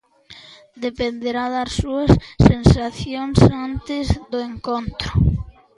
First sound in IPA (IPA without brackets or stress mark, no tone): d̪